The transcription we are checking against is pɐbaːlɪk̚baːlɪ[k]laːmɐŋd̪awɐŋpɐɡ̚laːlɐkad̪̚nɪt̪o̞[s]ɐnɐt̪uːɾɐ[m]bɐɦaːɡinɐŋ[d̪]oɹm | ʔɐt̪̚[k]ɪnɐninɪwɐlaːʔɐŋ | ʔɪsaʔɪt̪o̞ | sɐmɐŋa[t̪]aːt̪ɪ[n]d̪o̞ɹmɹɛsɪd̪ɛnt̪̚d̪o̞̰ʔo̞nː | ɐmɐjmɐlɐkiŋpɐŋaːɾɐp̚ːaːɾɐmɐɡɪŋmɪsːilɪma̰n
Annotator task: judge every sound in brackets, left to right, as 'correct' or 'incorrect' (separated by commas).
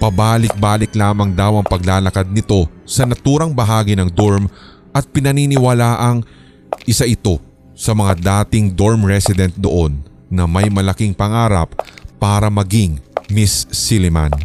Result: correct, correct, incorrect, correct, incorrect, incorrect, incorrect